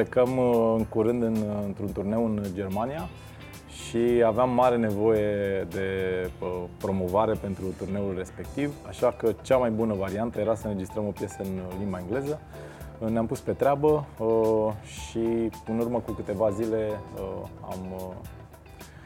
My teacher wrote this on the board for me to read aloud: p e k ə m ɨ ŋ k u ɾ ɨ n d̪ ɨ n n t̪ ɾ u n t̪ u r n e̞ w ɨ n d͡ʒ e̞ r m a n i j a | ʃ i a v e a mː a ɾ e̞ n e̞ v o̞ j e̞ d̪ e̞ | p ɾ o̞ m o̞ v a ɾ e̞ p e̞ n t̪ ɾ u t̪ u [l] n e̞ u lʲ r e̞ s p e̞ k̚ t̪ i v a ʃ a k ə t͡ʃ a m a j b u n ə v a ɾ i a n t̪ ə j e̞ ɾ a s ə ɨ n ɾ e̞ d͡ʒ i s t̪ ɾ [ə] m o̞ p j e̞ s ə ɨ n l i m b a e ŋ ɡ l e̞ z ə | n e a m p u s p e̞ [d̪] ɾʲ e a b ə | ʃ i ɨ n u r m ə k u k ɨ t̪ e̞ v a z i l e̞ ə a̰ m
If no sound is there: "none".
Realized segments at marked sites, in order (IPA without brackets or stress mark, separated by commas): r, ə, t̪